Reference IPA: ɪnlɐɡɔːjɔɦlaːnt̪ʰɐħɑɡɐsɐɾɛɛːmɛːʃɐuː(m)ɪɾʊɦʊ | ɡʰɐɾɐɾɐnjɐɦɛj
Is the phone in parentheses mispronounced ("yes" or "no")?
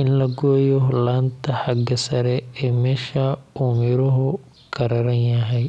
no